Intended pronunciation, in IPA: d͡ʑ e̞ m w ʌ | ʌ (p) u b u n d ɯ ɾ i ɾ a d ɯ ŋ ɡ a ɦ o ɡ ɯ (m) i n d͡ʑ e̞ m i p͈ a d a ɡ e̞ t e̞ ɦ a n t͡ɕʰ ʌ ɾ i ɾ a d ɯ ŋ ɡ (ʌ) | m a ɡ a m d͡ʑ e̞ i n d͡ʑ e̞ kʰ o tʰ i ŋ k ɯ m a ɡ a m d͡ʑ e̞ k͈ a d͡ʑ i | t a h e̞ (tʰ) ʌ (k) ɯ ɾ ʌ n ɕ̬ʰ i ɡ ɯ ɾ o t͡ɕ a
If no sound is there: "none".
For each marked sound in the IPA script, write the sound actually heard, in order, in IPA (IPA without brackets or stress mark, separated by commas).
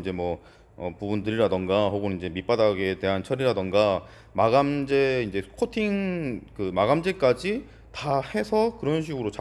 p, n, a, sʰ, k